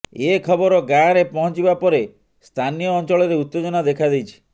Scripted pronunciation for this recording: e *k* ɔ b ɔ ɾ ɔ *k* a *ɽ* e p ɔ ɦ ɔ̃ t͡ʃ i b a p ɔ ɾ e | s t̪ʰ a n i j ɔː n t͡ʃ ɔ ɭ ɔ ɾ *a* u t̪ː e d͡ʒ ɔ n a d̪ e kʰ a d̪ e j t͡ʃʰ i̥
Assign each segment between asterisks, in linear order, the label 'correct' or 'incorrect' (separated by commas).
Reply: incorrect, incorrect, incorrect, incorrect